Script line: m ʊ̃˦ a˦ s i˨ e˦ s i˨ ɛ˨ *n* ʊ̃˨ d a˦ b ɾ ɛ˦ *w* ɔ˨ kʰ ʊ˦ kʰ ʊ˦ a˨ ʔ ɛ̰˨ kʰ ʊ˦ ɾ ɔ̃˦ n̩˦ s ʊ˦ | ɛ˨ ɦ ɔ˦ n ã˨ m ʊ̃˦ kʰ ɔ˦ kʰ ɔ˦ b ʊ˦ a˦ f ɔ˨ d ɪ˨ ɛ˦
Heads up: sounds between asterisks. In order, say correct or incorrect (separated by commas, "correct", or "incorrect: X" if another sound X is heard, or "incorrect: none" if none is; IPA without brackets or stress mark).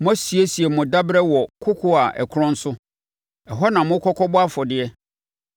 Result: incorrect: m, correct